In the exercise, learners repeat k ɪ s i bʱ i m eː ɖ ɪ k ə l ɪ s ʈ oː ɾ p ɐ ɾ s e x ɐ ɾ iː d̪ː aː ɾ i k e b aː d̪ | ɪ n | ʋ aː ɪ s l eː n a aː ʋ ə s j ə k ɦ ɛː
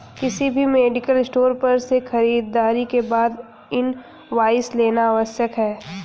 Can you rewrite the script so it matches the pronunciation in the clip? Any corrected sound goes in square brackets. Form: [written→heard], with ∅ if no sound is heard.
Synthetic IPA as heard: k ɪ s i bʱ i m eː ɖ ɪ k ə l ɪ s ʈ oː ɾ p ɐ ɾ s e x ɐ ɾ iː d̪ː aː ɾ i k e b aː d̪ | ɪ n | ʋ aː ɪ s l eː n a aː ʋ ə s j ə k ɦ ɛː

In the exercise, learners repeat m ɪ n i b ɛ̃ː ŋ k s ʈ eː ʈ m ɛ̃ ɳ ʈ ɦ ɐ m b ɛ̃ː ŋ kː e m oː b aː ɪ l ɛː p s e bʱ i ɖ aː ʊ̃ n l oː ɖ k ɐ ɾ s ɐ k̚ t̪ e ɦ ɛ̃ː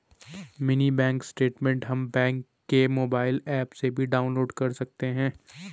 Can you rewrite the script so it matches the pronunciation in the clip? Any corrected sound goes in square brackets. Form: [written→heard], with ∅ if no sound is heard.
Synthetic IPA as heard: m ɪ n i b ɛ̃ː ŋ k s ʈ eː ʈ m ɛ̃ ɳ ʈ ɦ ɐ m b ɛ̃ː ŋ kː e m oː b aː ɪ l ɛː p s e bʱ i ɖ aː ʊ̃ n l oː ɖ k ɐ ɾ s ɐ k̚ t̪ e ɦ ɛ̃ː

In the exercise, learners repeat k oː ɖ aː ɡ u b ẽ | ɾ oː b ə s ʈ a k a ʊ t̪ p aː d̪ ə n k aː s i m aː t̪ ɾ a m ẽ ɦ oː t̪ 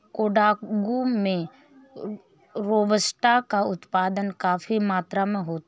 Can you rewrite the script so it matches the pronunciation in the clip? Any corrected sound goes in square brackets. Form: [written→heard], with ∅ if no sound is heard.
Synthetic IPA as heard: k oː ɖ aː ɡ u [b→m] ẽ | ɾ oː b ə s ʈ a k a ʊ t̪ p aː d̪ ə n k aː [s→f] i m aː t̪ ɾ a m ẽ ɦ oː t̪

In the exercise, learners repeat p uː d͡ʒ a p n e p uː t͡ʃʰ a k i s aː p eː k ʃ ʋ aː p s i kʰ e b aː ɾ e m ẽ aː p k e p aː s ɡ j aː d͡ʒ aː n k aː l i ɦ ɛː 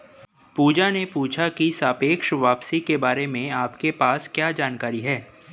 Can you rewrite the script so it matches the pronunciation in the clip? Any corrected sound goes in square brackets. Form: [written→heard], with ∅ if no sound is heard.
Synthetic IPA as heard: p uː d͡ʒ a [p→∅] n e p uː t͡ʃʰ a k i s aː p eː k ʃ ʋ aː p s i [kʰ→k] e b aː ɾ e m ẽ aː p k e p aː s [ɡ→k] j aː d͡ʒ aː n k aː [l→ɾ] i ɦ ɛː

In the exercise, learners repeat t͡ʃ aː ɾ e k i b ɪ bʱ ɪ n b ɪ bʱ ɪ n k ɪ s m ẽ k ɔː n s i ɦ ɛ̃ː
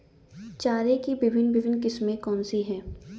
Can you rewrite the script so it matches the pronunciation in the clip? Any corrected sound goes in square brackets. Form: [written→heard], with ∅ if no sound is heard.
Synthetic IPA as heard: t͡ʃ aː ɾ e k i b ɪ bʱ ɪ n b ɪ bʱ ɪ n k ɪ s m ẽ k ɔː n s i ɦ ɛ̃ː

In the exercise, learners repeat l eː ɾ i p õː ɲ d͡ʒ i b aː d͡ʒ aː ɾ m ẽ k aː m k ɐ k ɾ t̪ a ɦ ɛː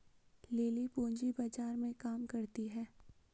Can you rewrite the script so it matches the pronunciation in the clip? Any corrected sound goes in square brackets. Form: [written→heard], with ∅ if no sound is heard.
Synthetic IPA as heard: l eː [ɾ→l] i p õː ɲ d͡ʒ i b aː d͡ʒ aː ɾ m ẽ k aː m k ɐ [k→∅] ɾ t̪ [a→i] ɦ ɛː

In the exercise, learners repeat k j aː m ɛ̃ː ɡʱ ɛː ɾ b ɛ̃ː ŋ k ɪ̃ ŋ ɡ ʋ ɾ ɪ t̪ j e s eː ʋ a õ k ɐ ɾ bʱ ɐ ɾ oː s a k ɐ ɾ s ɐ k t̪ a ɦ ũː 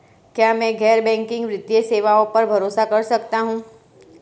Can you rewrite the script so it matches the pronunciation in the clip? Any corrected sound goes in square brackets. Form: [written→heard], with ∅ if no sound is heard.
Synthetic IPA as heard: k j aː m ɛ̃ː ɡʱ ɛː ɾ b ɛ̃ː ŋ k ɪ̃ ŋ ɡ ʋ ɾ ɪ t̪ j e s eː ʋ a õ [k→p] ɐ ɾ bʱ ɐ ɾ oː s a k ɐ ɾ s ɐ k t̪ a ɦ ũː

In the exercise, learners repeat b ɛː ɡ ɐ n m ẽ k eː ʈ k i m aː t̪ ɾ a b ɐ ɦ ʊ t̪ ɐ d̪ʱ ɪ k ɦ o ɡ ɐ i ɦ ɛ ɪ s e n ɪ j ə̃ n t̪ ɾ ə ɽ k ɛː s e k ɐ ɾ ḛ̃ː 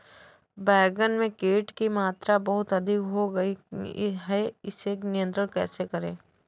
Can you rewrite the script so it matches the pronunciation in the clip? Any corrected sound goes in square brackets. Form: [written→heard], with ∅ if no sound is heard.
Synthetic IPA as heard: b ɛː ɡ [ɐ→ə] n m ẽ k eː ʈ k i m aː t̪ ɾ a b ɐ ɦ ʊ t̪ ɐ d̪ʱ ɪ k ɦ o ɡ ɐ i ɦ ɛ ɪ s e n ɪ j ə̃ n t̪ ɾ ə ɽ k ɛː s e k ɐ ɾ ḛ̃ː

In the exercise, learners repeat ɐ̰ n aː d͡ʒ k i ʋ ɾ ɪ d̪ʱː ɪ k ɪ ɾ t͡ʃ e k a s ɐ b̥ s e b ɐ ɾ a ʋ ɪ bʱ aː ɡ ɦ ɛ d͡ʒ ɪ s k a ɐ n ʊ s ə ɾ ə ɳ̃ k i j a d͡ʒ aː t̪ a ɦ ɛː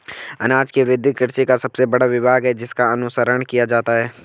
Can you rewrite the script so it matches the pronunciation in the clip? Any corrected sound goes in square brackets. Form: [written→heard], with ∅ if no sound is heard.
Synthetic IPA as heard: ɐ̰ n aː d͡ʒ k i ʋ ɾ ɪ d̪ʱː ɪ k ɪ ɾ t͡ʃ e k a s ɐ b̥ s e b ɐ [ɾ→ɽ] a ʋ ɪ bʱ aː ɡ ɦ ɛ d͡ʒ ɪ s k a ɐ n ʊ s ə ɾ ə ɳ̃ k i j a d͡ʒ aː t̪ a ɦ ɛː

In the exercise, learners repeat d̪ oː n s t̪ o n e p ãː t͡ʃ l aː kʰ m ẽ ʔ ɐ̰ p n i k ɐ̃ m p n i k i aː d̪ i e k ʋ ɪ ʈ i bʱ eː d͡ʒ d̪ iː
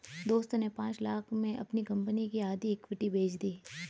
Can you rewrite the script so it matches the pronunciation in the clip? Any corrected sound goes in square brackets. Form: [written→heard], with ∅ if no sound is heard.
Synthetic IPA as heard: d̪ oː [n→∅] s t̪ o n e p ãː t͡ʃ l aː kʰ m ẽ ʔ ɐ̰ p n i k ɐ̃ m p n i k i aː d̪ i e k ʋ ɪ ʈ i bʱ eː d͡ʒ d̪ iː

